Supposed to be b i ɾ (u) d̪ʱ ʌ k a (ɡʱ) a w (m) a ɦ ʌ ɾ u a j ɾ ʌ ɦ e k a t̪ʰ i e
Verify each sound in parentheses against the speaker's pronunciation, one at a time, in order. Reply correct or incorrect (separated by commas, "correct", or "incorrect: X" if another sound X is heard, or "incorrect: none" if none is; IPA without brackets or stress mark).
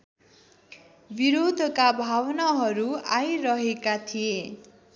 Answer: incorrect: o, incorrect: bʱ, incorrect: n